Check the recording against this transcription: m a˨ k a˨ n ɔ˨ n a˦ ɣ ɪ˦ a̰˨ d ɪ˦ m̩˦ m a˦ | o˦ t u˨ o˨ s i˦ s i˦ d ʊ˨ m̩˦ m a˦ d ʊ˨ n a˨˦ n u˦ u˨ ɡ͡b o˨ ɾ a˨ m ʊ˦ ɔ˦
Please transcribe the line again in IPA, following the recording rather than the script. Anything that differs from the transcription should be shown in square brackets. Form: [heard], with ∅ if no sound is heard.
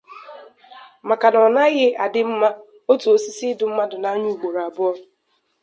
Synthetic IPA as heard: m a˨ k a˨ n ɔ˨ n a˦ ɣ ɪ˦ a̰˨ d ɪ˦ m̩˦ m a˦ | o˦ t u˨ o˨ s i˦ s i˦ d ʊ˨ m̩˦ m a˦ d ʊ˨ n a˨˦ [ɲ] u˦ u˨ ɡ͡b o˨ ɾ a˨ [b] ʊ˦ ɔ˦